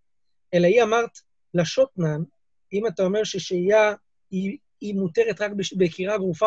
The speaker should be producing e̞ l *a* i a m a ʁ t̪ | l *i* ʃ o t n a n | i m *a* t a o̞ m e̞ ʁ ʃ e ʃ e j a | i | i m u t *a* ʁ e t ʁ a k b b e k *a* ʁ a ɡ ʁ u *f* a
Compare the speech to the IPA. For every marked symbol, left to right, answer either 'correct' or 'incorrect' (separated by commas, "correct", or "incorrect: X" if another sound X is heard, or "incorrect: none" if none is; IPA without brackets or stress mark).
correct, incorrect: a, correct, incorrect: e, incorrect: i, correct